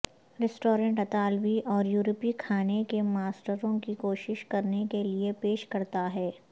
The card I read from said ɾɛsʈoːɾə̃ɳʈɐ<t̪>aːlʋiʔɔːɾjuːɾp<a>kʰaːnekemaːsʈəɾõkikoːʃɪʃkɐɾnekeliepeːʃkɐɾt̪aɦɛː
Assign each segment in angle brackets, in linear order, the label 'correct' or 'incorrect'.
correct, incorrect

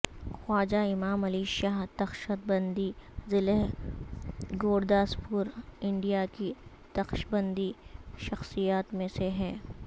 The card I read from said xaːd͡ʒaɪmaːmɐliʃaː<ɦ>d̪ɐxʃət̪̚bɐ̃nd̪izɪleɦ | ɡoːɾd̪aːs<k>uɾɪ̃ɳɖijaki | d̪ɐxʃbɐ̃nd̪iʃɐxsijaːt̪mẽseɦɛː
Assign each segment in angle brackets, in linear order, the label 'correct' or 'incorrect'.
correct, incorrect

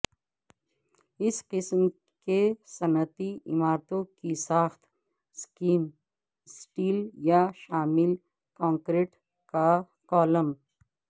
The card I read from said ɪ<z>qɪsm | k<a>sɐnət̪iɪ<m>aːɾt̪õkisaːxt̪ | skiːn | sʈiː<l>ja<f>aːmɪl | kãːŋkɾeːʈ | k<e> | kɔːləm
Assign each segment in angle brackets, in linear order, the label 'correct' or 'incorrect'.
incorrect, incorrect, correct, correct, incorrect, incorrect

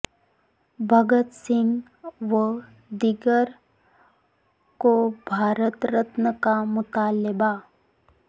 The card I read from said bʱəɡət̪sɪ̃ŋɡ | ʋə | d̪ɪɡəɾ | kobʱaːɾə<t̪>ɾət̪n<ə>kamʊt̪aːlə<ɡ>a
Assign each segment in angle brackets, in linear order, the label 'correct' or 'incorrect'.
correct, correct, incorrect

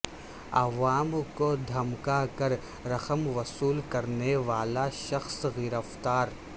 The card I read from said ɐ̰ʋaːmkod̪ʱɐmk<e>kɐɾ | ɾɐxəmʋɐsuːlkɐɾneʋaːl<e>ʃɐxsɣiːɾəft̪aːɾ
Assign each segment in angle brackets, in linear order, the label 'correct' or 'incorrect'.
incorrect, incorrect

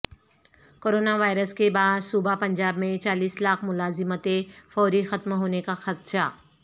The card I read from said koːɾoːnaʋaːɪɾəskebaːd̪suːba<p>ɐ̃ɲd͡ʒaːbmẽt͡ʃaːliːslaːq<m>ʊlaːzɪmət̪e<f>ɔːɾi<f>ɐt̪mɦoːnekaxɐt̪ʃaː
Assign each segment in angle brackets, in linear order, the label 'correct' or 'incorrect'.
correct, correct, correct, incorrect

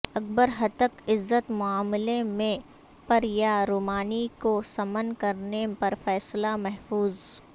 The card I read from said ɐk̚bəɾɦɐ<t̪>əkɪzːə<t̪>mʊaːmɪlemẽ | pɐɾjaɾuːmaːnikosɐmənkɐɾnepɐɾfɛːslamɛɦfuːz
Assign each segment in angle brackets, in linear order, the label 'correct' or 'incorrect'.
correct, correct

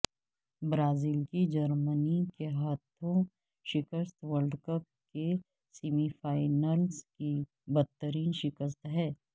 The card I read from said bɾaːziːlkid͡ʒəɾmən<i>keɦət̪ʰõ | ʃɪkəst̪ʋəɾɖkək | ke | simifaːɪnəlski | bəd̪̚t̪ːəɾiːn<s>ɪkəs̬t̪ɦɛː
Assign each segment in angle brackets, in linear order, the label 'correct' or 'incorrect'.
correct, incorrect

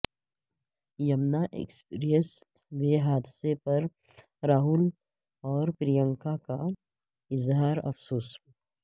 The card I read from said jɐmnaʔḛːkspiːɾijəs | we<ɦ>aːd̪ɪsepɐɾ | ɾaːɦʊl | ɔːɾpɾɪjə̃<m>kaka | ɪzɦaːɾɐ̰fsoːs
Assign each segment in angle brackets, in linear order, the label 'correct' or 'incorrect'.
correct, incorrect

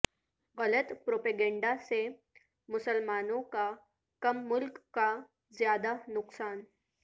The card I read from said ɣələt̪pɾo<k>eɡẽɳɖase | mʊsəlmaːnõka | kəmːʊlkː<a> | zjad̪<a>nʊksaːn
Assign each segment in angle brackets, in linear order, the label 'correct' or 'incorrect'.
incorrect, correct, correct

